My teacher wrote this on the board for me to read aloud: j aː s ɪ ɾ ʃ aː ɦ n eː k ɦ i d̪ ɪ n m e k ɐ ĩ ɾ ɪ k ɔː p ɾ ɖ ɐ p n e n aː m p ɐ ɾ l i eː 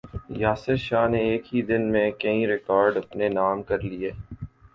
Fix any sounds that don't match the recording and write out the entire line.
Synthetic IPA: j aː s ɪ ɾ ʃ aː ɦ n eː k ɦ i d̪ ɪ n m ẽ k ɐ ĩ ɾ ɪ k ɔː ɾ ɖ ɐ p n e n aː m k ɐ ɾ l i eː